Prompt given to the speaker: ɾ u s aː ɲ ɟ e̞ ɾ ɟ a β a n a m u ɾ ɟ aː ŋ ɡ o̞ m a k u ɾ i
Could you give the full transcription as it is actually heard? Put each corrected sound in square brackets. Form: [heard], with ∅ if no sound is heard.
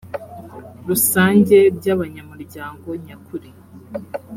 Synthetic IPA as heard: ɾ u s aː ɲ ɟ e̞ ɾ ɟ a β a [ɲ] a m u ɾ ɟ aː ŋ ɡ o̞ [ɲ] a k u ɾ i